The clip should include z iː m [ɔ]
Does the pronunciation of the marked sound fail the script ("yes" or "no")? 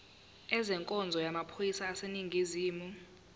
yes